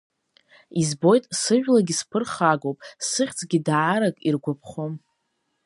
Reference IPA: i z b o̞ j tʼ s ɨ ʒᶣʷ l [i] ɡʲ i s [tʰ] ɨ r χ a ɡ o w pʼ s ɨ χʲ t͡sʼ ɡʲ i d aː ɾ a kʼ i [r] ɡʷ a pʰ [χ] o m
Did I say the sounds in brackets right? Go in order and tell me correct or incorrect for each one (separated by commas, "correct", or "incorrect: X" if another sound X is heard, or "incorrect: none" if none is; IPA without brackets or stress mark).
incorrect: a, incorrect: pʰ, correct, correct